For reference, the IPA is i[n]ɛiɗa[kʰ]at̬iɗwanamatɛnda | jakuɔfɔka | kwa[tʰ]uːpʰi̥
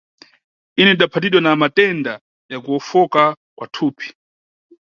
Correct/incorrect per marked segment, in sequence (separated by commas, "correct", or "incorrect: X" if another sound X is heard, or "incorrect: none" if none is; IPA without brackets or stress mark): correct, incorrect: pʰ, correct